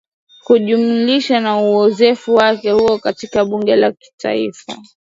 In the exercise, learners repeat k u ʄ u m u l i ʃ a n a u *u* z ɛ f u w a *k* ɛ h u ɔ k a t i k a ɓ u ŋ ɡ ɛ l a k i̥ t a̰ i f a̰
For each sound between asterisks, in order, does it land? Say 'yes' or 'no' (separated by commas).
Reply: no, yes